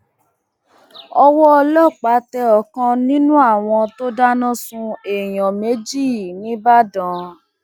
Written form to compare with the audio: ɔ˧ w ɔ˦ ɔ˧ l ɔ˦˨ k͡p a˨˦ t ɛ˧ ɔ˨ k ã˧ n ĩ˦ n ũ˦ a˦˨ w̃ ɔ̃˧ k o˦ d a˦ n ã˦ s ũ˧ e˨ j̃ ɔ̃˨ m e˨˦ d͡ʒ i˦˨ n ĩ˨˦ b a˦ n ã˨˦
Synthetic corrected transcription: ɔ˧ w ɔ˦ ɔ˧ l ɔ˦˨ k͡p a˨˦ t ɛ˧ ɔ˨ k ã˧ n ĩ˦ n ũ˦ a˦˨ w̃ ɔ̃˧ t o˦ d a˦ n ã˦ s ũ˧ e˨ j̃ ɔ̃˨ m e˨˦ d͡ʒ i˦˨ n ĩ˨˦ b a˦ d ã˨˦